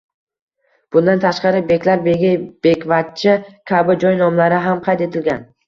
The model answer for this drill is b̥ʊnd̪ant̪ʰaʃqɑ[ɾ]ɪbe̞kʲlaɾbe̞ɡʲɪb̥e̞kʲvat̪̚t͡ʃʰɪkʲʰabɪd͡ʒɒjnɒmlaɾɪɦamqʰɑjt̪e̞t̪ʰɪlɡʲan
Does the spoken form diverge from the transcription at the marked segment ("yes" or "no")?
no